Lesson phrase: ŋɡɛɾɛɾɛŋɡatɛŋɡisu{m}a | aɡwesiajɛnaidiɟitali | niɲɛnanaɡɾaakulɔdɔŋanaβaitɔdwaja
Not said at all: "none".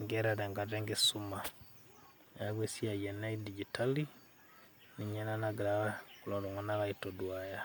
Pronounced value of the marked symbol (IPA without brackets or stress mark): m